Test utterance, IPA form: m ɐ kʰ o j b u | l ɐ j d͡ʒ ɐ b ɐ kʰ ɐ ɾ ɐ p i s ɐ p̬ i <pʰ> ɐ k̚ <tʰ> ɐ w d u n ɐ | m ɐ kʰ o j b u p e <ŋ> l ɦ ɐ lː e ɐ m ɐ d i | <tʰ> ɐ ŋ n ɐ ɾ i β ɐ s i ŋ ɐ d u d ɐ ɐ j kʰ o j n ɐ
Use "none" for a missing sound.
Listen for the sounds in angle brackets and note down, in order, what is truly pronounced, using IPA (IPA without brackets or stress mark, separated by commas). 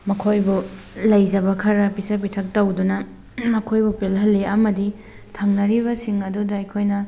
tʰ, t, none, tʰ